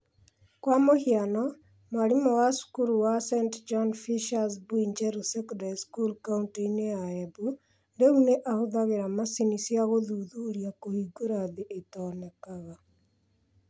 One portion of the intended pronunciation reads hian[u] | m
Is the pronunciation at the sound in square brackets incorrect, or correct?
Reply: incorrect